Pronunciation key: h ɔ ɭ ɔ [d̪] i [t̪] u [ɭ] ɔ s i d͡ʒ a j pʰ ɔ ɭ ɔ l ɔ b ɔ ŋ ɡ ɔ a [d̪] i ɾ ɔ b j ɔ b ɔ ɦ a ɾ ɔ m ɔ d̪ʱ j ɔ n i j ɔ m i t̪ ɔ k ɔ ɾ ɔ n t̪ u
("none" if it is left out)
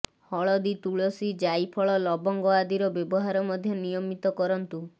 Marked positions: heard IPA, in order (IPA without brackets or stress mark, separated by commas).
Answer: d̪, t̪, ɭ, d̪